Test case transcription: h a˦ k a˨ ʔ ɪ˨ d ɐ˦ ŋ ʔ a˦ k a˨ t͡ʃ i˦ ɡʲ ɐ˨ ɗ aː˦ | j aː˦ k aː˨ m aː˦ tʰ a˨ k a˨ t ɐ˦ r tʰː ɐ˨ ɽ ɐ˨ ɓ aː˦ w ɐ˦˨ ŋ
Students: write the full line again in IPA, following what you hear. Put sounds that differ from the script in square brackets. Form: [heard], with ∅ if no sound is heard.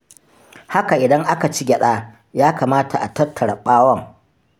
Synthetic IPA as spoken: h a˦ k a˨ ʔ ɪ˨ d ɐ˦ ŋ ʔ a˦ k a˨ t͡ʃ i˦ ɡʲ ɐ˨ ɗ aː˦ | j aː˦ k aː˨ m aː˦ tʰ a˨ [ʔ] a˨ t ɐ˦ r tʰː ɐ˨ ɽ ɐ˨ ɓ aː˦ w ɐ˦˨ ŋ